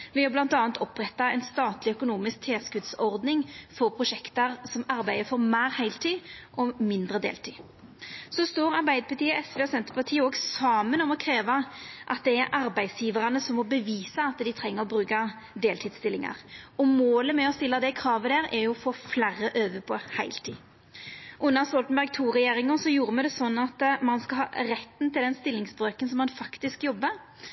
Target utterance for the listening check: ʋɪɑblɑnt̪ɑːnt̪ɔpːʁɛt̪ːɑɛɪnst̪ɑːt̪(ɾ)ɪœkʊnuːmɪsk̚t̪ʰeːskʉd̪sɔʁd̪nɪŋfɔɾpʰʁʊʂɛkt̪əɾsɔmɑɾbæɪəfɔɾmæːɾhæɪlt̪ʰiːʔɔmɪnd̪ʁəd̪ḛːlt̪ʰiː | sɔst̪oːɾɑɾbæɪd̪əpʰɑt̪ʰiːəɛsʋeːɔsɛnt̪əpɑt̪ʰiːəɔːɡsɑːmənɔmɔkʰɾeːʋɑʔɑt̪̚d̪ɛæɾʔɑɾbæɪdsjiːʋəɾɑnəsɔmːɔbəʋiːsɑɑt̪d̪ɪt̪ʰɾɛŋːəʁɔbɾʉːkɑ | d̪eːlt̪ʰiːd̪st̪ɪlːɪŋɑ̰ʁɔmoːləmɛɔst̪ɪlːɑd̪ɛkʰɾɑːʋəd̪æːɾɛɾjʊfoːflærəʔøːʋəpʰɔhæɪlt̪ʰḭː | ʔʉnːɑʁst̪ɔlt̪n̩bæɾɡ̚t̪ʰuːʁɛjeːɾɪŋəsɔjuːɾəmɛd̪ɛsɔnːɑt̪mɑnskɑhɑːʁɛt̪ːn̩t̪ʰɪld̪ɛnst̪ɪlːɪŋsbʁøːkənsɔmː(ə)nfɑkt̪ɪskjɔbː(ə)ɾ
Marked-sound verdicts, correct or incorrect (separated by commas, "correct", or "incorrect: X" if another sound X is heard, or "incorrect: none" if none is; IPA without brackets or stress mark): incorrect: l, incorrect: ɑ, correct